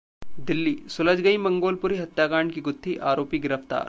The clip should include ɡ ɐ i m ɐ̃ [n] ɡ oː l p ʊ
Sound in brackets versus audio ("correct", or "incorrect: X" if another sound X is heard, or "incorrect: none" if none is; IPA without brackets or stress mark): incorrect: ŋ